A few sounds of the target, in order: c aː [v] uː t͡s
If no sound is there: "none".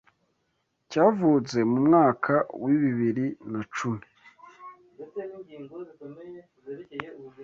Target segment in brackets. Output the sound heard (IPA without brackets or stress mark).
v